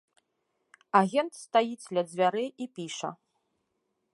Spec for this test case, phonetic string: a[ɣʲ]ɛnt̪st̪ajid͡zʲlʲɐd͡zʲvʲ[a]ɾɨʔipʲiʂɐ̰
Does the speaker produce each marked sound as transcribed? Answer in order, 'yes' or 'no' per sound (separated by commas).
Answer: yes, yes